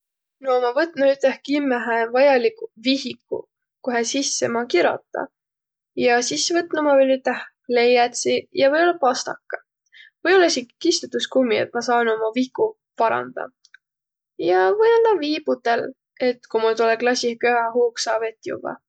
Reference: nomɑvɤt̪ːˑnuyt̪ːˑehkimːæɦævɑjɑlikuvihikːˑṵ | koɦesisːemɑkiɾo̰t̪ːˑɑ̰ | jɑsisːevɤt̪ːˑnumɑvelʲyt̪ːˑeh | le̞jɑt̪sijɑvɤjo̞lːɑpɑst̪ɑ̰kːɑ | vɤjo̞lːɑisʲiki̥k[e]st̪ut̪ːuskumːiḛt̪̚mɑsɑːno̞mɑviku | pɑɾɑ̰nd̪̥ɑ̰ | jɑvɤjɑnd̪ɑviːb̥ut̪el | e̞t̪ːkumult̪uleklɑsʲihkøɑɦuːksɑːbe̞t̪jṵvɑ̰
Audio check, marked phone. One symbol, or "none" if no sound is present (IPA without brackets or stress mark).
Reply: i